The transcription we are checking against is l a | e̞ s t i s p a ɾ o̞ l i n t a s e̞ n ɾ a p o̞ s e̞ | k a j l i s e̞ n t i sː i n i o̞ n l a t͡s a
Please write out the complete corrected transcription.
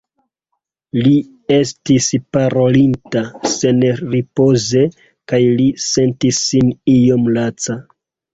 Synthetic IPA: l i | e̞ s t i s p a ɾ o̞ l i n t a s e̞ n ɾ i p o̞ z e̞ | k a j l i s e̞ n t i sː i n i o̞ m l a t͡s a